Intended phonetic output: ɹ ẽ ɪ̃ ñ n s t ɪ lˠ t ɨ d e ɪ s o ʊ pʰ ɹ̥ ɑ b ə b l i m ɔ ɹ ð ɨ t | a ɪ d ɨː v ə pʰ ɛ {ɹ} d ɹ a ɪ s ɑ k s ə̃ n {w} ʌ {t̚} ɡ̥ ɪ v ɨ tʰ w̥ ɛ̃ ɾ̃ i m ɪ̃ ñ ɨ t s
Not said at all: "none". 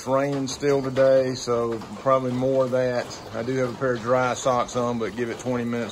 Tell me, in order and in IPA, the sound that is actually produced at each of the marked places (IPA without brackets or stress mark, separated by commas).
ɹ, b, t̚